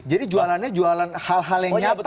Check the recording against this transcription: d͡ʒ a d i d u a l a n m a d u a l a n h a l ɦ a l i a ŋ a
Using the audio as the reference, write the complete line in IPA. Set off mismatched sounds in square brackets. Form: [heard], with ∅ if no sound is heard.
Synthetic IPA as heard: d͡ʒ a d i [d͡ʒ] u a l a n [ɲ] a [d͡ʒ] u a l a n h a l ɦ a l [j] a [ɲ] a